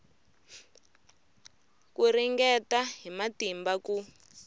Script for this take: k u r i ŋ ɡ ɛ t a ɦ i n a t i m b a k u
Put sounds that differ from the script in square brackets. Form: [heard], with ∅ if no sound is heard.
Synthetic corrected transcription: k u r i ŋ ɡ ɛ t a ɦ i [m] a t i m b a k u